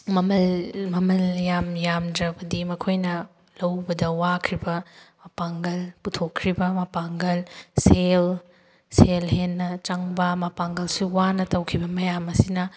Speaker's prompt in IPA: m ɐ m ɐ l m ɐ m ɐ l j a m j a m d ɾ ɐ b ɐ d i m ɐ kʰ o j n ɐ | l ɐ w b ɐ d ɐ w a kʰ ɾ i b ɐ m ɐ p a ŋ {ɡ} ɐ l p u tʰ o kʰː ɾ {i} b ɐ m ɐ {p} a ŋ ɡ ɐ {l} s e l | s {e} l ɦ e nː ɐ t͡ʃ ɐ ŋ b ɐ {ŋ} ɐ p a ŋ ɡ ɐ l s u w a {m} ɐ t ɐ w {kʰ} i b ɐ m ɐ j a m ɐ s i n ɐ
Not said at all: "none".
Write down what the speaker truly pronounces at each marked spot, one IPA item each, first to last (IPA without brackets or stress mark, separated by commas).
ɡ, i, p, l, e, m, n, kʰ